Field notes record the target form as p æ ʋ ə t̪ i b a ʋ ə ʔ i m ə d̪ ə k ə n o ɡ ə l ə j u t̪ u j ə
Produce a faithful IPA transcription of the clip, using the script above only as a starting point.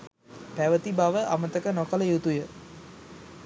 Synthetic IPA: p æ ʋ ə t̪ i b a ʋ ə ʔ a m ə t̪ ə k ə n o k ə l ə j u t̪ u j ə